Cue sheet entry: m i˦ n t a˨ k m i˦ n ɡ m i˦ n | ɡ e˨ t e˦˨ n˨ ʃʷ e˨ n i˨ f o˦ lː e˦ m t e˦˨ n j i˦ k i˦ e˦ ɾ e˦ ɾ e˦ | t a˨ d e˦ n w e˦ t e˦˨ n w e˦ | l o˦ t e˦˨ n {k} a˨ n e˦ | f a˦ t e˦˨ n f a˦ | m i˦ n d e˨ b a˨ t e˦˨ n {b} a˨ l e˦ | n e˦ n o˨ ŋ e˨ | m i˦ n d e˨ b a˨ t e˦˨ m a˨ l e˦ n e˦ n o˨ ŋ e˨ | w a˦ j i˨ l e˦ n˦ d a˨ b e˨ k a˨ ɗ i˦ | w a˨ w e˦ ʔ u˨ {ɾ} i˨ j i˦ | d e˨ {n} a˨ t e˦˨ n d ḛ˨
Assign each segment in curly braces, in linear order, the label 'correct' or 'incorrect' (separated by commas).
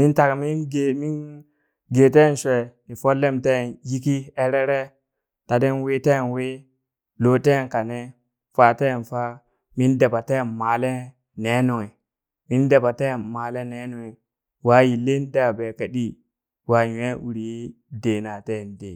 correct, incorrect, correct, correct